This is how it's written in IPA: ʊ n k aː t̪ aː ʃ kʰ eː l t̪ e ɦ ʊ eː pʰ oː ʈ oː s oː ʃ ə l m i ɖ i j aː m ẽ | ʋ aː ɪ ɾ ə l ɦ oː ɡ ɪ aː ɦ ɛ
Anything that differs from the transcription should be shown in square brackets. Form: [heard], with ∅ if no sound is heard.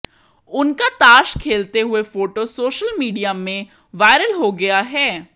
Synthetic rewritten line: ʊ n k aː t̪ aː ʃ kʰ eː l t̪ e ɦ ʊ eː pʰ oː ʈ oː s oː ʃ ə l m [iː] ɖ i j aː m ẽ | ʋ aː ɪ ɾ ə l ɦ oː ɡ ɪ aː ɦ [ɛː]